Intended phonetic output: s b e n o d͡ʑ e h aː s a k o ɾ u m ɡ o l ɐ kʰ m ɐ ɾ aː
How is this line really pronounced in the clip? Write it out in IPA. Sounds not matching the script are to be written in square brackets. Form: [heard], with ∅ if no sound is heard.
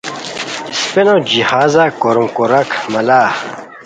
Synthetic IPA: s [p] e n o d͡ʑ [i] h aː [z] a k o ɾ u m [k] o [ɾ] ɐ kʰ m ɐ [l] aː